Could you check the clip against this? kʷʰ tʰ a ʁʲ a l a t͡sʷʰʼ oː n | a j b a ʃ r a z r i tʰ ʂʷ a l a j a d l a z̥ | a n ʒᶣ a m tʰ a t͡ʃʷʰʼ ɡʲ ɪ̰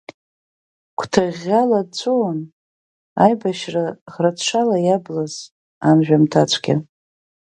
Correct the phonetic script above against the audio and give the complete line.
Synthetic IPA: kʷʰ tʰ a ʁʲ a l a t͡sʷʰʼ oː n | a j b a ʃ r a ʁ r a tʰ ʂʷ a l a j a b l a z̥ | a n ʒᶣ a m tʰ a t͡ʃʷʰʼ ɡʲ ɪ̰